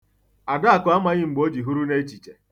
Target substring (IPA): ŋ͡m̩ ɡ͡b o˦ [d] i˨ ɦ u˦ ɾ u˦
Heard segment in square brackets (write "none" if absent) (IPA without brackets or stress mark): d͡ʒ